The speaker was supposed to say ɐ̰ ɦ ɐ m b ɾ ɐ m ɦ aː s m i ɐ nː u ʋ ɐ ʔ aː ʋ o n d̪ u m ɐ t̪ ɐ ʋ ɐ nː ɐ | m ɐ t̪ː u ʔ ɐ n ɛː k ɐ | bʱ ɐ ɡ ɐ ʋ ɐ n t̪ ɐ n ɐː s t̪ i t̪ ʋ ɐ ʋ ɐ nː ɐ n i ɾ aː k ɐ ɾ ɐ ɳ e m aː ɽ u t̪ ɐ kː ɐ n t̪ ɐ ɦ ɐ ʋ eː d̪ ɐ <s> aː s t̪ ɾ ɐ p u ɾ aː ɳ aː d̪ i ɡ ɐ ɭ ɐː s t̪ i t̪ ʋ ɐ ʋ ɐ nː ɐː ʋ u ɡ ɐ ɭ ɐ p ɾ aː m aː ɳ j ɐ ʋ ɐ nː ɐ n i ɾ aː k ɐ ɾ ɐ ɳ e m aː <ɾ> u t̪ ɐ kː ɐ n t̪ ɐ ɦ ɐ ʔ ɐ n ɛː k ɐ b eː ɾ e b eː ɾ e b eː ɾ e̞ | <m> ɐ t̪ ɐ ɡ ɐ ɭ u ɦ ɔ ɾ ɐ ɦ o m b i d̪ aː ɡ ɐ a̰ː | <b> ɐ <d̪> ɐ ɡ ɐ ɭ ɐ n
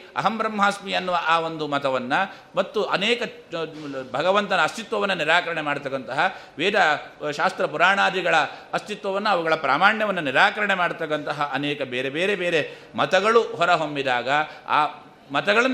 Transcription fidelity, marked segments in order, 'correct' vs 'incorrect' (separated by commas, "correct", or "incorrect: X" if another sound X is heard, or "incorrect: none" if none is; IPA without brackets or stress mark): incorrect: ʃ, incorrect: ɽ, correct, incorrect: m, incorrect: t̪